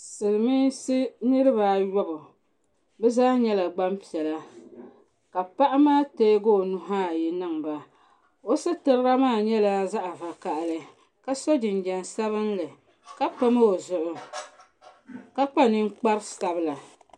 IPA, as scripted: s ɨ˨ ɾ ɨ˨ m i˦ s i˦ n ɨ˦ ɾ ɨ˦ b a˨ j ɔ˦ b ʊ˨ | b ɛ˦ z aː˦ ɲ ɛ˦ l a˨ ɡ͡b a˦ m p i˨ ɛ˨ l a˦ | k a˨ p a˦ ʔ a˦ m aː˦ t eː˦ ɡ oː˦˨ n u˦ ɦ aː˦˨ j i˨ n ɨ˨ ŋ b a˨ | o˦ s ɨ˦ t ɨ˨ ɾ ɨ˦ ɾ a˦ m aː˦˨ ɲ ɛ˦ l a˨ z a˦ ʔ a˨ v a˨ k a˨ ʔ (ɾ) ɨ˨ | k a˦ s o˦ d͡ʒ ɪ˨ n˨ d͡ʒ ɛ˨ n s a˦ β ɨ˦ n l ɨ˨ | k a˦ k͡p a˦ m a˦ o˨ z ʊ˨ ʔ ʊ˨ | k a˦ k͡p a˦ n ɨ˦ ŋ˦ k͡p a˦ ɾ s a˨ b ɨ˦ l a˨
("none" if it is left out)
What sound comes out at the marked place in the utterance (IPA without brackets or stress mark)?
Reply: l